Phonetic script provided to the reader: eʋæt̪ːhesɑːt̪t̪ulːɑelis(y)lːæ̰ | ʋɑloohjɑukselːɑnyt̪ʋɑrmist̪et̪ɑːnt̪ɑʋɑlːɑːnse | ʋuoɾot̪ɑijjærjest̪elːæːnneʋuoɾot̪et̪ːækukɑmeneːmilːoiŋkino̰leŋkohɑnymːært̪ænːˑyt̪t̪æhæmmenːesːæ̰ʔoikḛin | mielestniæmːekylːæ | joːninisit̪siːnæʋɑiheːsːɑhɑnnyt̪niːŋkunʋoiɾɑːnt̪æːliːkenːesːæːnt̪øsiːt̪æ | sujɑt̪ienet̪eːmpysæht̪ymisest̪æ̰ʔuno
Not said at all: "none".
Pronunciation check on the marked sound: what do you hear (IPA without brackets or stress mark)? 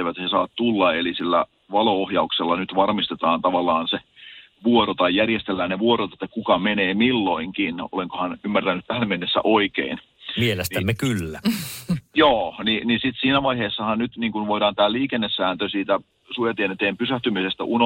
i